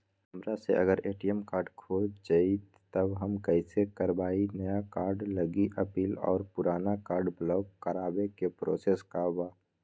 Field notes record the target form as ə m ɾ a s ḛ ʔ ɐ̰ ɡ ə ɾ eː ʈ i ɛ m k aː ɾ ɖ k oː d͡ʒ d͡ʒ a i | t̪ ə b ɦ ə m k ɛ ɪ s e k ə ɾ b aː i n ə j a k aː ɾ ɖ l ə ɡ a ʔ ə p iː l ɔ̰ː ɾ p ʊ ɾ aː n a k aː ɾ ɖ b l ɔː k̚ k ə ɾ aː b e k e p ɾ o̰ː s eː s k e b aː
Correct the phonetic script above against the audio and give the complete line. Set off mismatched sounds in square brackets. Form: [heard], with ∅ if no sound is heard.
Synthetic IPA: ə m ɾ a s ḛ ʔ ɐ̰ ɡ ə ɾ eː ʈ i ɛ m k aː ɾ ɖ [kʰ] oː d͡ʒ d͡ʒ a i | t̪ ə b ɦ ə m k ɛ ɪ s e k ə ɾ b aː i n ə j a k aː ɾ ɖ l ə ɡ [i] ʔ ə p iː l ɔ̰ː ɾ p ʊ ɾ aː n a k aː ɾ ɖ b l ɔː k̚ k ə ɾ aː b e k e p ɾ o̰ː s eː s k [a] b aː